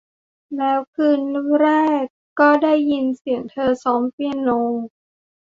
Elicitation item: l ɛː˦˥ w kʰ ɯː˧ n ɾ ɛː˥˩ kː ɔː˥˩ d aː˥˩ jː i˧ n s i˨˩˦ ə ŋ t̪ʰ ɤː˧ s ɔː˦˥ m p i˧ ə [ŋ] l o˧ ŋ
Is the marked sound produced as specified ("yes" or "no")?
no